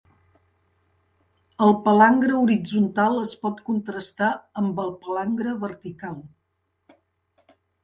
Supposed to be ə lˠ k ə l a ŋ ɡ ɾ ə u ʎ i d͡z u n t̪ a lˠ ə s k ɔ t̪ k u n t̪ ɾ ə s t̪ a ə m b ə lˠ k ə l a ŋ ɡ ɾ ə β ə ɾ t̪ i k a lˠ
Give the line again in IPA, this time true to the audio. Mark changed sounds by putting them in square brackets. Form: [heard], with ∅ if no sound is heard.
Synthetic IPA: ə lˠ [p] ə l a ŋ ɡ ɾ ə u [ɾ] i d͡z u n t̪ a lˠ ə s [p] ɔ t̪ k u n t̪ ɾ ə s t̪ a ə m b ə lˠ [p] ə l a ŋ ɡ ɾ ə β ə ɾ t̪ i k a lˠ